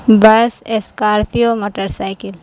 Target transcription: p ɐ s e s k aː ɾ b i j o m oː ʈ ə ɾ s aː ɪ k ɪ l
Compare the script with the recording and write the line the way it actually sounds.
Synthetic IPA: b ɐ s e s k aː ɾ p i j o m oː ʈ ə ɾ s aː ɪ k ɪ l